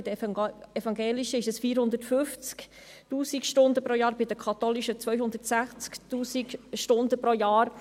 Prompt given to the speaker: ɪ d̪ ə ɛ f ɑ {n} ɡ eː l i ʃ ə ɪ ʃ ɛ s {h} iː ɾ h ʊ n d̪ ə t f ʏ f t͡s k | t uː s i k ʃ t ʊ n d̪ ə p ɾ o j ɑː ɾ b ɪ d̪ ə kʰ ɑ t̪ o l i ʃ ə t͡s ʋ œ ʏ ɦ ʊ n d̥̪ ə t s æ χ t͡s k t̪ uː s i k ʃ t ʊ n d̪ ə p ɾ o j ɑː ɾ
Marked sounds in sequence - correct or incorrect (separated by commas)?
incorrect, incorrect